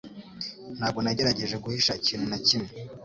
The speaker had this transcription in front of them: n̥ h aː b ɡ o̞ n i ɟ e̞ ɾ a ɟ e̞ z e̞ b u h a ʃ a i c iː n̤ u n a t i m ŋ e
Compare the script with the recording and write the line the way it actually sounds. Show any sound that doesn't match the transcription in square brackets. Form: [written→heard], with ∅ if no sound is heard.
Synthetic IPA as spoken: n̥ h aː b ɡ o̞ n [i→a] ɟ e̞ ɾ a ɟ e̞ [z→ʒ] e̞ [b→ɡ] u h [a→i] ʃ a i c iː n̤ u n a [t→c] i m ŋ e